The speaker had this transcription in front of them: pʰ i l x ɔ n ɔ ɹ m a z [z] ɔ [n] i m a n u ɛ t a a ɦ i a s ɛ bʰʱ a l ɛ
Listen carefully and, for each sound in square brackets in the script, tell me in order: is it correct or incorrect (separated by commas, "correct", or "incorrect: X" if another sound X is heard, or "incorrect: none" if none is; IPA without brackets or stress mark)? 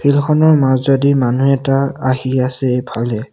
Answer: correct, incorrect: d